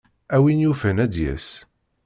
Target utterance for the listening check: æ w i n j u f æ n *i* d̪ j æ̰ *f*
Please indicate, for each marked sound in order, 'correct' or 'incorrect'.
incorrect, incorrect

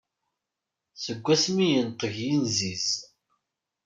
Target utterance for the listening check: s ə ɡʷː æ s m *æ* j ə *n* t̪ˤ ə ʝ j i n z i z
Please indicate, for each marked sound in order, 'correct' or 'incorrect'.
incorrect, correct

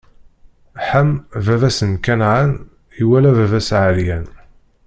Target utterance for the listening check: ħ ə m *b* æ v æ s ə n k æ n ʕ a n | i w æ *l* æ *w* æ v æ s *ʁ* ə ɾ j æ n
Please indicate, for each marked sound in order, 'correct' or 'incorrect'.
incorrect, correct, incorrect, incorrect

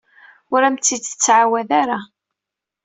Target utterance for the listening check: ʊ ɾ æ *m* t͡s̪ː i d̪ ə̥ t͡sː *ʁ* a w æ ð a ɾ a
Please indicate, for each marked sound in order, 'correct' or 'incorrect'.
correct, incorrect

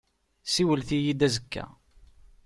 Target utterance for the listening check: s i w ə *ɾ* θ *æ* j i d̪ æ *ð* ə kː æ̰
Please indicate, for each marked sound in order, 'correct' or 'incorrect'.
incorrect, incorrect, incorrect

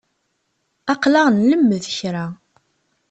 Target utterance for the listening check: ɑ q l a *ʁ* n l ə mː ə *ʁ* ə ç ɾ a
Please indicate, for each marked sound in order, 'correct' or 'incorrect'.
correct, incorrect

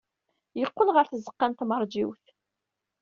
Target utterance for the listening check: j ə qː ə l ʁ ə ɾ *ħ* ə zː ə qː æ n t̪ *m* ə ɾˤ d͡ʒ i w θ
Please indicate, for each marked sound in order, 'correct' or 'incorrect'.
incorrect, correct

